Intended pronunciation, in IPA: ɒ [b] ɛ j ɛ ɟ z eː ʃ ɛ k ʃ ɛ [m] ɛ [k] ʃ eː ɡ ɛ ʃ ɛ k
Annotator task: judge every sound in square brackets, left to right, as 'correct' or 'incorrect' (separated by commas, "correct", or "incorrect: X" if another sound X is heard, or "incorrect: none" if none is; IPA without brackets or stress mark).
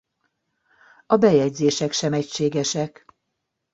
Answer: correct, correct, incorrect: c